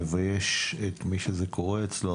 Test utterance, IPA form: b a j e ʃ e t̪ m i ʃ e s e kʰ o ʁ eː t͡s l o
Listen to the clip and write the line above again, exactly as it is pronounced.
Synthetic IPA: v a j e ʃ e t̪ m i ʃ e z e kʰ o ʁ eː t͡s l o